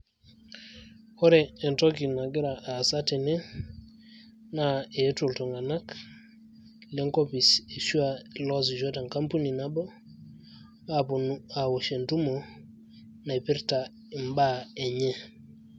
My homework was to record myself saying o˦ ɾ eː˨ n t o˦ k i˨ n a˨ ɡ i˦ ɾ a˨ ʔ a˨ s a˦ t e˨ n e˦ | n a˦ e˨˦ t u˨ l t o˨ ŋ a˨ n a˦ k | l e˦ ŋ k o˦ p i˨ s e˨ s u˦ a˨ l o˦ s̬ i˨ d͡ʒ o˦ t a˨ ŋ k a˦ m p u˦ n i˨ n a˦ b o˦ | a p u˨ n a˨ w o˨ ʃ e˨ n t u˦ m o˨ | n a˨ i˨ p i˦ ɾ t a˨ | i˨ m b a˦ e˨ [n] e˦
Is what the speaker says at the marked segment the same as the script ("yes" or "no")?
no